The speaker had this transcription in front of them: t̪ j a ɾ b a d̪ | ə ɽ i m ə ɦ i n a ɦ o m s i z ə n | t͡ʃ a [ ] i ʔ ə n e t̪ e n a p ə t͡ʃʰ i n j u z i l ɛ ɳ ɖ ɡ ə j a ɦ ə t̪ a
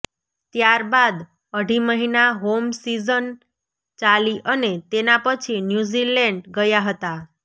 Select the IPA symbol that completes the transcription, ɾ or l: l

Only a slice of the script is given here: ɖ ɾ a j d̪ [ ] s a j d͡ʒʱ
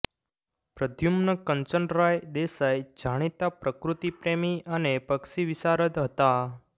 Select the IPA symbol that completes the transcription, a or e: e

